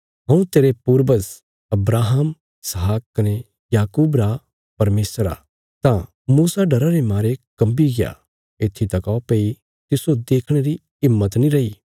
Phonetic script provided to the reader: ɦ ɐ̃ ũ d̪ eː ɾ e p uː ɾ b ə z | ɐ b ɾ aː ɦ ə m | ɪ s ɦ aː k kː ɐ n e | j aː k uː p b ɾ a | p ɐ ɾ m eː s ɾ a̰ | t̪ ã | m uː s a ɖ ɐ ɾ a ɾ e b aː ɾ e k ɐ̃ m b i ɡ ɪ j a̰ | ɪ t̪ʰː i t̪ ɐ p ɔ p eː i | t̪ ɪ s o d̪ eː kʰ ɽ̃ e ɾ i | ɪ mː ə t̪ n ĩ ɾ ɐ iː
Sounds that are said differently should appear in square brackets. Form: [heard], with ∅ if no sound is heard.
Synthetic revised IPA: ɦ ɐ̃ ũ [t̪] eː ɾ e p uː ɾ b ə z | ɐ b ɾ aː ɦ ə m | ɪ s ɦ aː k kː ɐ n e | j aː k uː [∅] b ɾ a | p ɐ ɾ m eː s ɾ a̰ | t̪ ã | m uː s a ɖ ɐ ɾ a ɾ e [m] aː ɾ e k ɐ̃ m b i ɡ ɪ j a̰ | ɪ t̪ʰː i t̪ ɐ [k] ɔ p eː i | t̪ ɪ s o d̪ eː kʰ ɽ̃ e ɾ i | ɪ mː ə t̪ n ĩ ɾ ɐ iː